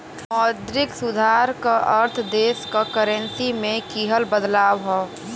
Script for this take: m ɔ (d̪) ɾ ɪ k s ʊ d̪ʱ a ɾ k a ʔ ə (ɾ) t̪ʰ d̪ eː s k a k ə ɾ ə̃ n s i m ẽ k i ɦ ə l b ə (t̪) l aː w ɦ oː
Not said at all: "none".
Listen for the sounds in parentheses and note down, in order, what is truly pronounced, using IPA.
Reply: d̪, ɾ, d̪

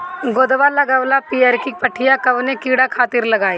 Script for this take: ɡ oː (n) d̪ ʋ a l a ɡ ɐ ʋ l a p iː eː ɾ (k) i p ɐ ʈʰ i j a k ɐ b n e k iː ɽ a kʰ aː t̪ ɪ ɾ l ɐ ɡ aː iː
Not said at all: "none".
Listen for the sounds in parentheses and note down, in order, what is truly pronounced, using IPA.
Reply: none, k

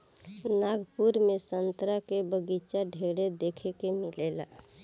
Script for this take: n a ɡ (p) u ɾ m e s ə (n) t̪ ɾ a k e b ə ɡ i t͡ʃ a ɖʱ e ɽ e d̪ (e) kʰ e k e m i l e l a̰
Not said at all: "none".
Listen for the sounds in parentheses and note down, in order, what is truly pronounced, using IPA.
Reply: p, n, e

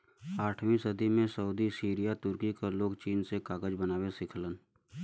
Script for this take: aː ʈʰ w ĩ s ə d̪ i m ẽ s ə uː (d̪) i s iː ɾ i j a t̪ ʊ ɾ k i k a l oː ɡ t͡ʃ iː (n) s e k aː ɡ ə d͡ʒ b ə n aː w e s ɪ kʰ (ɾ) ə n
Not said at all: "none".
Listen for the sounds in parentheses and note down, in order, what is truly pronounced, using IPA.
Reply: d̪, n, l

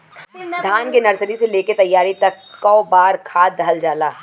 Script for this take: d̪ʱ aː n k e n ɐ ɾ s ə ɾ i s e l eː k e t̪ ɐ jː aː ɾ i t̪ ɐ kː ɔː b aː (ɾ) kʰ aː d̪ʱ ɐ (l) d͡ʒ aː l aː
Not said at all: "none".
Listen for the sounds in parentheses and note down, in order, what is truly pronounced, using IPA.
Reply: ɾ, l

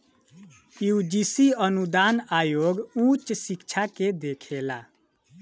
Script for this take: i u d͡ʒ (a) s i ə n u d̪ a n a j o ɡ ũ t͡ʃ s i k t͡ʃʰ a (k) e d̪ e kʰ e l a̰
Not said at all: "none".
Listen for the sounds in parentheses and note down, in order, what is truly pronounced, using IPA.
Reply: i, k

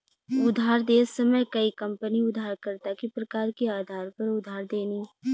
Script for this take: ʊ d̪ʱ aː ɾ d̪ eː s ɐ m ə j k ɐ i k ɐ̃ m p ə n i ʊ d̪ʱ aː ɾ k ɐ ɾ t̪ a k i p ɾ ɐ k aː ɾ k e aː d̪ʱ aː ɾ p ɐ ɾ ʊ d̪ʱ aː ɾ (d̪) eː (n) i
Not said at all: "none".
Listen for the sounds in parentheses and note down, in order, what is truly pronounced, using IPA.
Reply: d̪, n

